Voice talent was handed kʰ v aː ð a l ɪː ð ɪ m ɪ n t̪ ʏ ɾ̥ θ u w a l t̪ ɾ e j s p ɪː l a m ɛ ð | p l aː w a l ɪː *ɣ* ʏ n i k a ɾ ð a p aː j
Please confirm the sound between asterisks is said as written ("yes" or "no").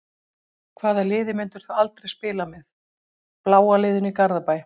no